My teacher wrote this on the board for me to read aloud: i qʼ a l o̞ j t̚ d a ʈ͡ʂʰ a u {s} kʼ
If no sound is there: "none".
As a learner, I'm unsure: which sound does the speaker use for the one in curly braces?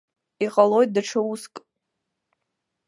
s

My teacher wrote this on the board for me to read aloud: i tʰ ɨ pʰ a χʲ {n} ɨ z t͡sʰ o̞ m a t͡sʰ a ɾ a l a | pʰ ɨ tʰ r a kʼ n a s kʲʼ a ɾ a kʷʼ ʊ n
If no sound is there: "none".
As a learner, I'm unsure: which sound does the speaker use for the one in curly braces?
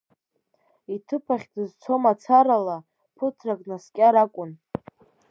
d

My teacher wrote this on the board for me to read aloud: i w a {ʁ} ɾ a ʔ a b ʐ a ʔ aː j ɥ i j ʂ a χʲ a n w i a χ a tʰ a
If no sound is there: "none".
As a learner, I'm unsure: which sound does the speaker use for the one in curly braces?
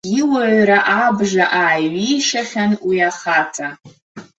ʕ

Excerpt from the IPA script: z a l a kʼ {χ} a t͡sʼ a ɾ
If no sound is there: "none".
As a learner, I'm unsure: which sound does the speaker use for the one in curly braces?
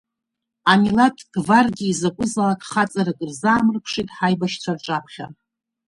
χ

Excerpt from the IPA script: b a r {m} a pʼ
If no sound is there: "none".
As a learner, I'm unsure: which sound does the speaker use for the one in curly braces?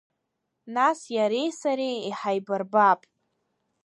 b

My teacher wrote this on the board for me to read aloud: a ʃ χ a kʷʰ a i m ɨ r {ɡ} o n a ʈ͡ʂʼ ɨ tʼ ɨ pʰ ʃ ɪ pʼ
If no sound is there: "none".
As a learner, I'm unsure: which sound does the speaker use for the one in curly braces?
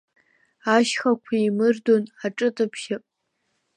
d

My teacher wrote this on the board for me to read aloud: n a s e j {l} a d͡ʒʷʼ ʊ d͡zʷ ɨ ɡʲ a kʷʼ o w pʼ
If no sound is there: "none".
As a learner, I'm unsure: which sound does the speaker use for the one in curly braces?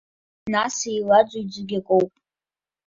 l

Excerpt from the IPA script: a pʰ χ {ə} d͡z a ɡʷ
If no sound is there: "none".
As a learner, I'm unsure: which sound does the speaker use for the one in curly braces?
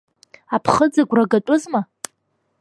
ə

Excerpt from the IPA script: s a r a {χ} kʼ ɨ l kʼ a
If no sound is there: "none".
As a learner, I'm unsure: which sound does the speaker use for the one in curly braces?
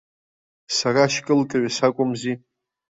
ʃ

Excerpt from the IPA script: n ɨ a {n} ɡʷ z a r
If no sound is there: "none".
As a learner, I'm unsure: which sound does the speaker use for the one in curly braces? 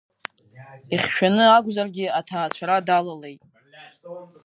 none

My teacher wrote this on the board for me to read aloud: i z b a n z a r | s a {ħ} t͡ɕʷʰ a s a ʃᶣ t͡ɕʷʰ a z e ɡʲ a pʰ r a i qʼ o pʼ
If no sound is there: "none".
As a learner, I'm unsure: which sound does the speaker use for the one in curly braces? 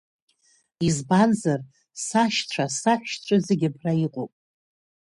ʃ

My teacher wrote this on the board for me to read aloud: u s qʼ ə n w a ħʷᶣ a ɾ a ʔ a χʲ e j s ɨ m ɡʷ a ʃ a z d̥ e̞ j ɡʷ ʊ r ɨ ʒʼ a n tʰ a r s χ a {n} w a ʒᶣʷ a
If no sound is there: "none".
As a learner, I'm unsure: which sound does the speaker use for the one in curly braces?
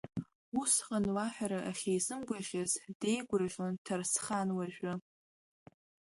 n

